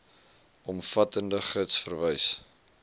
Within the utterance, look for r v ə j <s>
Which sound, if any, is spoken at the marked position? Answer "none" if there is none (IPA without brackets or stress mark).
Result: s